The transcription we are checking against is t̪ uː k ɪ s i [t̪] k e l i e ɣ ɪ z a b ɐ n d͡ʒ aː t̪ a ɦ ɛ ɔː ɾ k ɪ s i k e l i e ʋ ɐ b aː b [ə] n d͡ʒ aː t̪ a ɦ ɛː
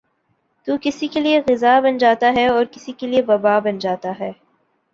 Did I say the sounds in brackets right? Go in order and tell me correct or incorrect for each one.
incorrect, incorrect

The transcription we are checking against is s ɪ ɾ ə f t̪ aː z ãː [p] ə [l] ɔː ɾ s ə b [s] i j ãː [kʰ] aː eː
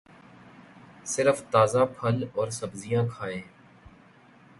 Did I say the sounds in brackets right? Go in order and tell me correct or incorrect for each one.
incorrect, correct, incorrect, correct

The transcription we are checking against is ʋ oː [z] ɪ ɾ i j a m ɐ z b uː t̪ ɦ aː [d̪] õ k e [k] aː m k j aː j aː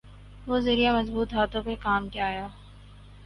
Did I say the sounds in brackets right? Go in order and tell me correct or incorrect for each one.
correct, incorrect, correct

